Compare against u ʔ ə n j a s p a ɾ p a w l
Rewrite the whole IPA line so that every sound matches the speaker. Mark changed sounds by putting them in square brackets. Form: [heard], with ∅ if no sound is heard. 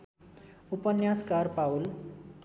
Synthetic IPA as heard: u [p] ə n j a s [k] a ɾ p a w l